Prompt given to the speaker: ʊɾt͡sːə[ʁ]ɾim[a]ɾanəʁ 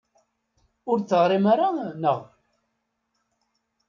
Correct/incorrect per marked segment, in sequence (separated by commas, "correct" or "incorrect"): correct, correct